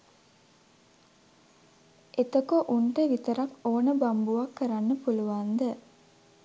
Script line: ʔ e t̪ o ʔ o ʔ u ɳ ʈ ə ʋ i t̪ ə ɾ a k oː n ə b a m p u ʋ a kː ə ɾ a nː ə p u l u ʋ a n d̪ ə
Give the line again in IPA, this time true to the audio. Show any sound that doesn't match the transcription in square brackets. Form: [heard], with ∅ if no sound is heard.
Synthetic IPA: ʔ e t̪ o [k] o ʔ u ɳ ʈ ə ʋ i t̪ ə ɾ a k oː n ə b a m [b] u ʋ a kː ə ɾ a nː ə p u l u ʋ a n d̪ ə